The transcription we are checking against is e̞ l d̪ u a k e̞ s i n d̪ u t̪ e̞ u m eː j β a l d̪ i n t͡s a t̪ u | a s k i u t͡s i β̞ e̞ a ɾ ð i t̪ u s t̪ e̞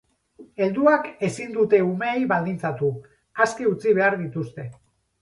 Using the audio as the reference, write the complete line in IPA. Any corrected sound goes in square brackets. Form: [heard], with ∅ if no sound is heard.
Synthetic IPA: e̞ l d̪ u a k e̞ s i n d̪ u t̪ e̞ u m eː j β a l d̪ i n t͡s a t̪ u | a s k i u t͡s i β̞ e̞ a ɾ ð i t̪ u s t̪ e̞

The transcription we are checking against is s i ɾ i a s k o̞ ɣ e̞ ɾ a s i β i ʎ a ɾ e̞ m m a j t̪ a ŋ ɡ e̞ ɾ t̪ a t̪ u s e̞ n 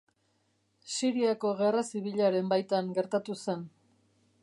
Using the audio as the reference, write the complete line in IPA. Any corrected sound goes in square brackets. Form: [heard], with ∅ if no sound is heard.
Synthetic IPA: s i ɾ i a [∅] k o̞ ɣ e̞ [r] a s i β i ʎ a ɾ e̞ m [b] a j t̪ a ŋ ɡ e̞ ɾ t̪ a t̪ u s e̞ n

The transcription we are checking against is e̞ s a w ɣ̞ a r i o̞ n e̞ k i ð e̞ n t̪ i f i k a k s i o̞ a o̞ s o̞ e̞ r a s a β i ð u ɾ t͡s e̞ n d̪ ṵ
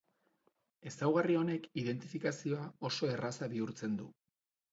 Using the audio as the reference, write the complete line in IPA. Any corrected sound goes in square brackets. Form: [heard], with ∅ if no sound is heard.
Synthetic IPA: e̞ s a w ɣ̞ a r i o̞ n e̞ k i ð e̞ n t̪ i f i k a [∅] s i o̞ a o̞ s o̞ e̞ r a s a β i [∅] u ɾ t͡s e̞ n d̪ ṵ

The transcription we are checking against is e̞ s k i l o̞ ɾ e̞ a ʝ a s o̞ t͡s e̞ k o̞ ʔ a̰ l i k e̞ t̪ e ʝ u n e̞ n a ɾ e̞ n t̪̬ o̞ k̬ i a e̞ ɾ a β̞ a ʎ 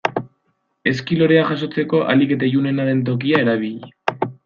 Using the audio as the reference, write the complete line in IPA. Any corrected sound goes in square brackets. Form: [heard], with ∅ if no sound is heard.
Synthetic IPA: e̞ s k i l o̞ ɾ e̞ a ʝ a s o̞ t͡s e̞ k o̞ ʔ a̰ l i k e̞ t̪ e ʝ u n e̞ n a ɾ e̞ n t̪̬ o̞ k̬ i a e̞ ɾ a β̞ [i] ʎ

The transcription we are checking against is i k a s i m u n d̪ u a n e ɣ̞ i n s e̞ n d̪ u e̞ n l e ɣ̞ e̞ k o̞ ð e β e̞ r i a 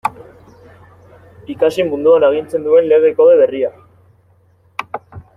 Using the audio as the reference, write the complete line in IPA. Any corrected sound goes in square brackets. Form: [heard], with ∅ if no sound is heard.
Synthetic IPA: i k a s i m u n d̪ u a n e ɣ̞ i n [t͡s] e̞ n d̪ u e̞ n l e ɣ̞ e̞ k o̞ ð e β e̞ r i a

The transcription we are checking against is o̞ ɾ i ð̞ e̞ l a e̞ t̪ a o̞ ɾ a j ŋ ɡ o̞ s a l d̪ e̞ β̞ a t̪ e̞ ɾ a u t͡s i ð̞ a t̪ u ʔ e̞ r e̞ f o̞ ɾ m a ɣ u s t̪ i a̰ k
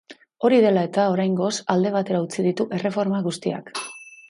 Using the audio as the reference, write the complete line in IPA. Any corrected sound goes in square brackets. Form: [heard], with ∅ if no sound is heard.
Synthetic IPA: o̞ ɾ i ð̞ e̞ l a e̞ t̪ a o̞ ɾ a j ŋ ɡ o̞ s a l d̪ e̞ β̞ a t̪ e̞ ɾ a u t͡s i ð̞ [i] t̪ u ʔ e̞ r e̞ f o̞ ɾ m a ɣ u s t̪ i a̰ k

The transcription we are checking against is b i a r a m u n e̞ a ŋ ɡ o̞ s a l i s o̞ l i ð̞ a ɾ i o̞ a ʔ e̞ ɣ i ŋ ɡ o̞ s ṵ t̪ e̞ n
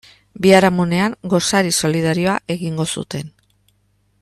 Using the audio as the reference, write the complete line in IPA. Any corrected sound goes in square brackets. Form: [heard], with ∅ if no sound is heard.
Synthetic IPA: b i a [ɾ] a m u n e̞ a ŋ ɡ o̞ s a [ɾ] i s o̞ l i ð̞ a ɾ i o̞ a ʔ e̞ ɣ i ŋ ɡ o̞ s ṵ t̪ e̞ n

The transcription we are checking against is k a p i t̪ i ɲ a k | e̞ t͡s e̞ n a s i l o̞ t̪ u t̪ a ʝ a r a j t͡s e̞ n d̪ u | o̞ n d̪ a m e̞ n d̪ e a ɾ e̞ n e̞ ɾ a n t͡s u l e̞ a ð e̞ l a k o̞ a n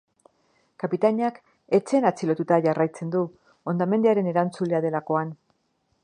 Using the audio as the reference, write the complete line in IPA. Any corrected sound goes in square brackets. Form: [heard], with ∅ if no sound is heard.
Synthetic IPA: k a p i t̪ [a] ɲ a k | e̞ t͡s e̞ n a [t͡s] i l o̞ t̪ u t̪ a ʝ a r a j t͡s e̞ n d̪ u | o̞ n d̪ a m e̞ n d̪ e a ɾ e̞ n e̞ ɾ a n t͡s u l e̞ a ð e̞ l a k o̞ a n

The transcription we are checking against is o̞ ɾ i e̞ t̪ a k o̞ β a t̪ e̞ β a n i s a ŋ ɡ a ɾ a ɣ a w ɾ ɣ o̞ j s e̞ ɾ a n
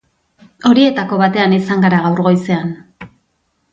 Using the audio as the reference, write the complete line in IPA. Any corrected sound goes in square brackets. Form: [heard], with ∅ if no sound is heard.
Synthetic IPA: o̞ ɾ i e̞ t̪ a k o̞ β a t̪ e̞ [∅] a n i s a ŋ ɡ a ɾ a ɣ a w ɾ ɣ o̞ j s e̞ [∅] a n

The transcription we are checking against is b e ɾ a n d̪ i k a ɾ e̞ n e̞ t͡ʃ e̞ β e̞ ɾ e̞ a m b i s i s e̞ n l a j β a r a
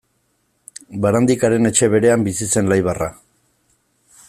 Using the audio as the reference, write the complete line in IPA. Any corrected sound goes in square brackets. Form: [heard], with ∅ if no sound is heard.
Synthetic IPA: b [a] ɾ a n d̪ i k a ɾ e̞ n e̞ t͡ʃ e̞ β e̞ ɾ e̞ a m b i s i s e̞ n l a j β a r a

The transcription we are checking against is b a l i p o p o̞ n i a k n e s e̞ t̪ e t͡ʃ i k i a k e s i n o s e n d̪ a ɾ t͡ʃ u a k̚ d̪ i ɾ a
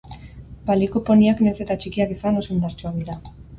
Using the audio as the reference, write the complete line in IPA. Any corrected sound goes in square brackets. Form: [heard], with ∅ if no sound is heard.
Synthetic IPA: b a l i [k] o p o̞ n i a k n e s e̞ t̪ [a] t͡ʃ i k i a k [i] s [a] n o s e n d̪ a ɾ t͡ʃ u a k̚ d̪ i ɾ a

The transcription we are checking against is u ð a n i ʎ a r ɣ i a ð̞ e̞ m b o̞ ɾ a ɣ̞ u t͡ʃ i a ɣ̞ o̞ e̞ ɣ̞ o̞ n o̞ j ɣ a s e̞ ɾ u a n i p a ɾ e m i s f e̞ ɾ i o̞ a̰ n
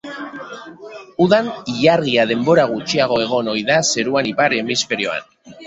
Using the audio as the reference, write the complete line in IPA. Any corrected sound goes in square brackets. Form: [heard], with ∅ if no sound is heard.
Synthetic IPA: u ð a n i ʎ a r ɣ i a ð̞ e̞ m b o̞ ɾ a ɣ̞ u t͡ʃ i a ɣ̞ o̞ e̞ ɣ̞ o̞ n o̞ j [ð] a s e̞ ɾ u a n i p a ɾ e m i s f e̞ ɾ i o̞ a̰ n

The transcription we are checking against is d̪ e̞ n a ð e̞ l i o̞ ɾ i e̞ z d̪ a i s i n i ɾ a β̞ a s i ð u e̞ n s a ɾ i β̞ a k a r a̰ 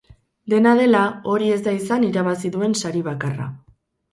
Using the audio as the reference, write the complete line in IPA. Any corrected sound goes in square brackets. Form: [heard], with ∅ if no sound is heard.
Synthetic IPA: d̪ e̞ n a ð e̞ l [a] o̞ ɾ i e̞ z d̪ a i s [a] n i ɾ a β̞ a s i ð u e̞ n s a ɾ i β̞ a k a r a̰

